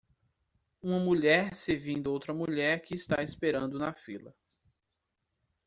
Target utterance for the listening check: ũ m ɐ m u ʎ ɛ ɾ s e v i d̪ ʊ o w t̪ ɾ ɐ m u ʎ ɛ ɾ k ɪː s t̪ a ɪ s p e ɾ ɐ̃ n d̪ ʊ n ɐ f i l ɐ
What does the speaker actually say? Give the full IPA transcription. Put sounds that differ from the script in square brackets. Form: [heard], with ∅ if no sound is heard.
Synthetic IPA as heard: ũ m ɐ m u ʎ ɛ ɾ s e v [ĩ] d̪ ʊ o w t̪ ɾ ɐ m u ʎ ɛ ɾ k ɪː s t̪ a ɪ s p e ɾ ɐ̃ n d̪ ʊ n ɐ f i l ɐ